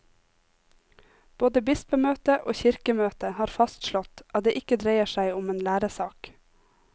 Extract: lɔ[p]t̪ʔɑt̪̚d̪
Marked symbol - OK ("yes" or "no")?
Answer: no